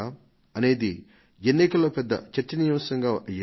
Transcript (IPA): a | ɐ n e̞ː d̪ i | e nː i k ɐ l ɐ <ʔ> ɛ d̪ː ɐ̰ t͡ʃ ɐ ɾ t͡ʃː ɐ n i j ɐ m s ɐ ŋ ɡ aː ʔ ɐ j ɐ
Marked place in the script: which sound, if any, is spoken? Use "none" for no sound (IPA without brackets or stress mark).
p